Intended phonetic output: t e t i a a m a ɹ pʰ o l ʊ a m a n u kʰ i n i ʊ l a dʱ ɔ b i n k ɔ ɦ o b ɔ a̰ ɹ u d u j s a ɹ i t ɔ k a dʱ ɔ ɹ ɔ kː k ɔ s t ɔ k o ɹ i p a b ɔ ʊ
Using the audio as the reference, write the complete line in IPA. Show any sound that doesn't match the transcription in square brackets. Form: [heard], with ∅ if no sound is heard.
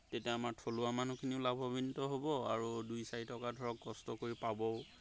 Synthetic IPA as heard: t e t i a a m a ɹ [tʰ] o l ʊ a m a n u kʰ i n i ʊ l a [bʱ] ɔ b i n [t] ɔ ɦ o b ɔ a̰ ɹ u d u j s a ɹ i t ɔ k a dʱ ɔ ɹ ɔ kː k ɔ s t ɔ k o ɹ i p a b ɔ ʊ